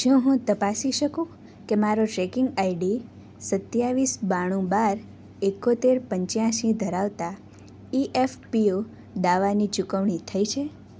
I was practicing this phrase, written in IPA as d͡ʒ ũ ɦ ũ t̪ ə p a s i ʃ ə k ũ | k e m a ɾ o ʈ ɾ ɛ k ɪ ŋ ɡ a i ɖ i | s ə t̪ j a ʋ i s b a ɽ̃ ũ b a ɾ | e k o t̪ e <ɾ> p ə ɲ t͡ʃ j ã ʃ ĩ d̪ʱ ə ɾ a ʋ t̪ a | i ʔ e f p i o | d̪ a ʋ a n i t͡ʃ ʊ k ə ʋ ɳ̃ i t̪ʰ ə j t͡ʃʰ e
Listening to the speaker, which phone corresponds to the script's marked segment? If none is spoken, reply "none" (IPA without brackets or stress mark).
ɾ